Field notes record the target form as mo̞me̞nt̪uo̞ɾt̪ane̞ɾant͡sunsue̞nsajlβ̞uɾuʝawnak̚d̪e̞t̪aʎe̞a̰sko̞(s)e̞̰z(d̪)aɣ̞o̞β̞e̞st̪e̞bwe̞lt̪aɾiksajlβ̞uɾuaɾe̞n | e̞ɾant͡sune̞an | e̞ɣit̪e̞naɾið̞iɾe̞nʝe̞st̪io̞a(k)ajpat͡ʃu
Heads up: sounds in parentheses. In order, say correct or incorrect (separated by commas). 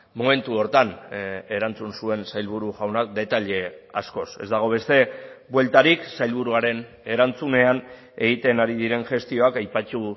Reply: correct, correct, correct